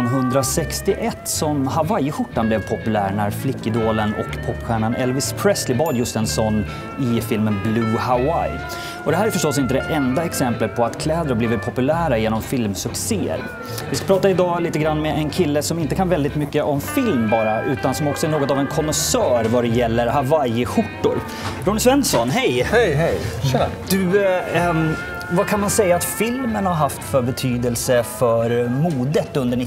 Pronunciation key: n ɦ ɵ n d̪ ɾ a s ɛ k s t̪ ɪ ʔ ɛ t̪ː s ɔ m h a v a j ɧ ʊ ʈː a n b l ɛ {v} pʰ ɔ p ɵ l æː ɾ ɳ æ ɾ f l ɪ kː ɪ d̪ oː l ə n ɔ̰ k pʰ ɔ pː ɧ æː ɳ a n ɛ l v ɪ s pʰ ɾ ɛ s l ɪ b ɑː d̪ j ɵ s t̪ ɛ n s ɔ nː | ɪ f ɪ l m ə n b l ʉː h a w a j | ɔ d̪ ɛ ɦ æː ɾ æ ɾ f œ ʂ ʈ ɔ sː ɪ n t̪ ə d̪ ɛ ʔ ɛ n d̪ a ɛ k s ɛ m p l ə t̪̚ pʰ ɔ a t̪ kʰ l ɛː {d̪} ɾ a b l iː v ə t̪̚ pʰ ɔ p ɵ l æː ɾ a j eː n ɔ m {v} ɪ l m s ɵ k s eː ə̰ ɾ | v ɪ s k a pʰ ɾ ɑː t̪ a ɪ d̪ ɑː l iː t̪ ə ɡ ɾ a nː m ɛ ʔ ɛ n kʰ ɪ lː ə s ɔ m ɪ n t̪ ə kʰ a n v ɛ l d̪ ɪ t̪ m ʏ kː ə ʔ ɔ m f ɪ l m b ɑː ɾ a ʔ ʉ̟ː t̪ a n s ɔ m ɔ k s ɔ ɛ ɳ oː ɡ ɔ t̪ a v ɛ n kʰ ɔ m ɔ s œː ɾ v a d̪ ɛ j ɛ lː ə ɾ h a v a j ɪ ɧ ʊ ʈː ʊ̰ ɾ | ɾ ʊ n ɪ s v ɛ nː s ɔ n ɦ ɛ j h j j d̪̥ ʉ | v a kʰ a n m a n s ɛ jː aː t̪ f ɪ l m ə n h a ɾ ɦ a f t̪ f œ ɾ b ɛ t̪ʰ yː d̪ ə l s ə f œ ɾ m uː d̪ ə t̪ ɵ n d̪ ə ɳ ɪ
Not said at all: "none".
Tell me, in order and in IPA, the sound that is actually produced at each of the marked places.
v, d̪, f

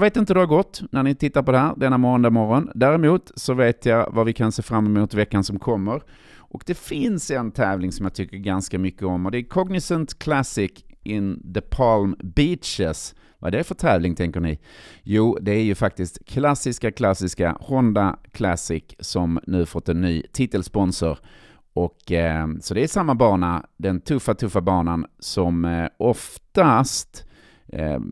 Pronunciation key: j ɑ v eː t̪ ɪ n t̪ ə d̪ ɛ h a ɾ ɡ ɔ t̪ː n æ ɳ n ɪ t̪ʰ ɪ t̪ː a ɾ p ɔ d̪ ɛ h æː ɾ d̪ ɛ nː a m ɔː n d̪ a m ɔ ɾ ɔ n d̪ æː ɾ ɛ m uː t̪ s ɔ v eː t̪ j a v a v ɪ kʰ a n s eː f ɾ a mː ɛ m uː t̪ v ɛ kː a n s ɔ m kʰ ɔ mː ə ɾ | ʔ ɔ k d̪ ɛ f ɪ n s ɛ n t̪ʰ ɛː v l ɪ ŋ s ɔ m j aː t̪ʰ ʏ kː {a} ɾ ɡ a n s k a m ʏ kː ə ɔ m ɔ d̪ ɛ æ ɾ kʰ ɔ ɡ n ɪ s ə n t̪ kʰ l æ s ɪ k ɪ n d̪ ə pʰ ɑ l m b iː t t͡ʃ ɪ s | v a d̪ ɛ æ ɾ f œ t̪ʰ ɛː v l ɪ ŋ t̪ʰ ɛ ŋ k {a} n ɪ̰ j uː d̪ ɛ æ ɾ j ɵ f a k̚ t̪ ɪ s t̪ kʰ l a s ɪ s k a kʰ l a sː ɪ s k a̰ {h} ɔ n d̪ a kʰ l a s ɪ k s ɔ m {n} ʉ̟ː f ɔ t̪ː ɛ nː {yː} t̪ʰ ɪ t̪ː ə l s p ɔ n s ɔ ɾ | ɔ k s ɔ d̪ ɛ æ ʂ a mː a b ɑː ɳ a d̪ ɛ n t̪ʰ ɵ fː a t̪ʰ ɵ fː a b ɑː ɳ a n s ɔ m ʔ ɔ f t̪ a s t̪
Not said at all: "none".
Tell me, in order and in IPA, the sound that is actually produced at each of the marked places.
ə, ə, h, n, yː

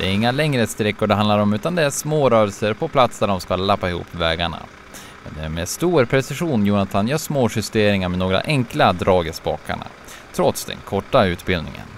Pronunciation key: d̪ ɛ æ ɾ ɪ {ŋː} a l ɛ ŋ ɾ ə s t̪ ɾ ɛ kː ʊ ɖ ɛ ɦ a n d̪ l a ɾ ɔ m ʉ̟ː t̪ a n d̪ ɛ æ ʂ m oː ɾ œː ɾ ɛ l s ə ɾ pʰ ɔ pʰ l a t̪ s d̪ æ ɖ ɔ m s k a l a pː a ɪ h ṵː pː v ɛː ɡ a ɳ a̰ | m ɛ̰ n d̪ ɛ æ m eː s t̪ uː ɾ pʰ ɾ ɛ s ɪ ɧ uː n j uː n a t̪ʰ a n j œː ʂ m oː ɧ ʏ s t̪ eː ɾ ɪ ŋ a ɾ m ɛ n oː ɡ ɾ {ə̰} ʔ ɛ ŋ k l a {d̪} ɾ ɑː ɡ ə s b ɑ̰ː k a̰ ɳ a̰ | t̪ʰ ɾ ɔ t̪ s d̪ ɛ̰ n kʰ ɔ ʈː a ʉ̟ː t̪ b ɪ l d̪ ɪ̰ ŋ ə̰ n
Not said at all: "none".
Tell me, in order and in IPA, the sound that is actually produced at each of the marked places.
ŋː, a̰, d̪

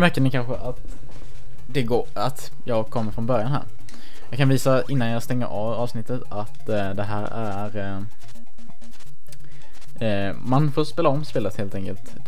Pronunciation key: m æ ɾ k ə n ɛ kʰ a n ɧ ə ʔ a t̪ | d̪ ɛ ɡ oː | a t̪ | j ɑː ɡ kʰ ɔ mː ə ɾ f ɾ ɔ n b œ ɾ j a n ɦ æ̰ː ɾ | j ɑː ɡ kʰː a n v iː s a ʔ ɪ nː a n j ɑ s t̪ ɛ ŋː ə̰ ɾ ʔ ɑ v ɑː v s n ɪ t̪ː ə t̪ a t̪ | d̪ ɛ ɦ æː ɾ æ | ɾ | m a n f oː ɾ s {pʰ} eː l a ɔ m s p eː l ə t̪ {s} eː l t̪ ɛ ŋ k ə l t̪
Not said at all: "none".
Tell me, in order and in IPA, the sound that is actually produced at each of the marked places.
p, h

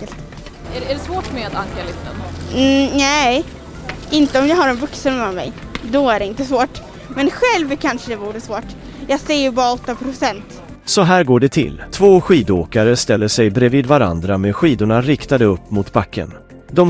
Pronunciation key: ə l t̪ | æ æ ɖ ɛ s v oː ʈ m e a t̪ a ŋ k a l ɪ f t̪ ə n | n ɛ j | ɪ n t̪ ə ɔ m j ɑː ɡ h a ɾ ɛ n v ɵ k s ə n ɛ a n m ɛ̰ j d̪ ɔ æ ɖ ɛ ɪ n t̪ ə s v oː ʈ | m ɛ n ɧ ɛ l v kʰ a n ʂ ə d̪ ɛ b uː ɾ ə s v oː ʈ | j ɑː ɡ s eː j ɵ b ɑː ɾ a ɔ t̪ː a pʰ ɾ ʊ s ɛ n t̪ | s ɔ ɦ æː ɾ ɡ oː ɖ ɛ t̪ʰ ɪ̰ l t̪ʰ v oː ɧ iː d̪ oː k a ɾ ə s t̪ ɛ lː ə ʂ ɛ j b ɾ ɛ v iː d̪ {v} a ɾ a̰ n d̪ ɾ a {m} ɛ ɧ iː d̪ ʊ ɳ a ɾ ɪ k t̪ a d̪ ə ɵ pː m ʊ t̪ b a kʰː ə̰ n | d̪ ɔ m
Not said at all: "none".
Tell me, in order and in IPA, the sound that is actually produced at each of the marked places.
v, m

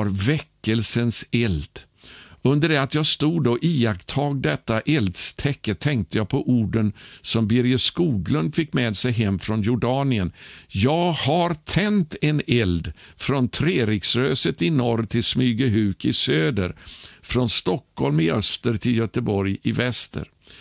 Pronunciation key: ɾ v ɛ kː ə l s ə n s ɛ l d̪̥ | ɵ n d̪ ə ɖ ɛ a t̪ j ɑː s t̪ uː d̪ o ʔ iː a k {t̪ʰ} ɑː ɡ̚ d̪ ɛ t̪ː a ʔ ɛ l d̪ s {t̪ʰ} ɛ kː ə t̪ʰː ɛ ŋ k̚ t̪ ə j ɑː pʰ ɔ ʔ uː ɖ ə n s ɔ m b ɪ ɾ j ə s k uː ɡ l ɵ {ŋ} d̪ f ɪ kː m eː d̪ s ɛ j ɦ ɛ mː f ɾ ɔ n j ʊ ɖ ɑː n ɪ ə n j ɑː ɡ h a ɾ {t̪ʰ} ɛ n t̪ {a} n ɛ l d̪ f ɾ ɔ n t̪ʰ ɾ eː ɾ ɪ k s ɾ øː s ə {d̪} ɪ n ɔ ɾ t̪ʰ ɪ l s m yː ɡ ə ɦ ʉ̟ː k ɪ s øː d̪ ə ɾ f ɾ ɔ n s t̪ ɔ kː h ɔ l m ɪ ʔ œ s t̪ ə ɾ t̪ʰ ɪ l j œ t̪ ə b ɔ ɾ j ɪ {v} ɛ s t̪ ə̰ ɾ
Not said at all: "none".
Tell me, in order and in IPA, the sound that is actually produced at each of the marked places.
t̪ʰ, t̪ʰ, n, t̪ʰ, ɛ, t̪, v

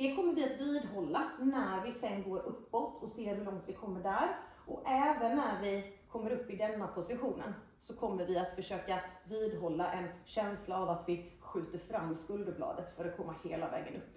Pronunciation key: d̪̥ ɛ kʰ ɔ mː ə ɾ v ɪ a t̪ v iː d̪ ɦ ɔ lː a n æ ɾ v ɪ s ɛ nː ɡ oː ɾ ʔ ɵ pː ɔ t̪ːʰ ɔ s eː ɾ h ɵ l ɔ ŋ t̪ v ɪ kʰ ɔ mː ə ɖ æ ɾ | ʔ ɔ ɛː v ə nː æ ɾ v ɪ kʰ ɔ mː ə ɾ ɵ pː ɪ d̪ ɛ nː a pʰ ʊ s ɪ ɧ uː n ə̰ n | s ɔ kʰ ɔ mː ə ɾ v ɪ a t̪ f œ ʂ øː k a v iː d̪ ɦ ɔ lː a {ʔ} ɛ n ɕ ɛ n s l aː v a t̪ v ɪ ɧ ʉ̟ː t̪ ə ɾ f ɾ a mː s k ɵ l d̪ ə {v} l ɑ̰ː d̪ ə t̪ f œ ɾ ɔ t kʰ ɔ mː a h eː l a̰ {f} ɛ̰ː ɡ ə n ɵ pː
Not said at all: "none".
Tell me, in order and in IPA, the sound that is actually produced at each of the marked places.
ʔ, b, v

